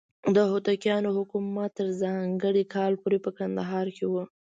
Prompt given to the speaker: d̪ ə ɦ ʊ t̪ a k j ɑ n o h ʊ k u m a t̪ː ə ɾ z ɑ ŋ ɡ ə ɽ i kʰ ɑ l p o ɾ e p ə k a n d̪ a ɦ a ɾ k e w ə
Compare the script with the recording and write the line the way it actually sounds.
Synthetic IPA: d̪ ə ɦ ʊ t̪ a k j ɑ n o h ʊ k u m a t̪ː ə ɾ z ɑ ŋ ɡ ə ɽ i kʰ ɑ l p o ɾ e p ə k a n d̪ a ɦ ɑ ɾ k e w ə